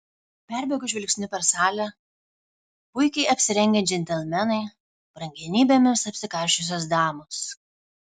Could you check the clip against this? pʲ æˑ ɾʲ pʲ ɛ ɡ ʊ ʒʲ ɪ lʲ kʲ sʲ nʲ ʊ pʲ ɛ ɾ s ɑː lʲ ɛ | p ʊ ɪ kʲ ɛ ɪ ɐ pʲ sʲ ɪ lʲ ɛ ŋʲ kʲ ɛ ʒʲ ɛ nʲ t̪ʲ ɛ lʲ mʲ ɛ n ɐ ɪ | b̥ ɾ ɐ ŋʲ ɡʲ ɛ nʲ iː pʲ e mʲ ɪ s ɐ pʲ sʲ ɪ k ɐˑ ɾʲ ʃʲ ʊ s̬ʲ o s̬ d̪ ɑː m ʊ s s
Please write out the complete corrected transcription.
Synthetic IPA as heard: pʲ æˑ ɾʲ bʲ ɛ ɡ ʊ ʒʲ ɪ lʲ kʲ sʲ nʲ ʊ pʲ ɛ ɾ s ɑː lʲ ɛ | p ʊ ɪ kʲ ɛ ɪ ɐ pʲ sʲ ɪ ɾʲ ɛ ŋʲ ɡʲ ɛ d͡ʒʲ ɛ nʲ t̪ʲ ɛ lʲ mʲ ɛ n ɐ ɪ | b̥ ɾ ɐ ŋʲ ɡʲ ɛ nʲ iː bʲ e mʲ ɪ s ɐ pʲ sʲ ɪ k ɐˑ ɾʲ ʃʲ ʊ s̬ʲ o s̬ d̪ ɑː m ʊ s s